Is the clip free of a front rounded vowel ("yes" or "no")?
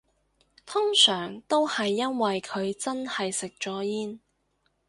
no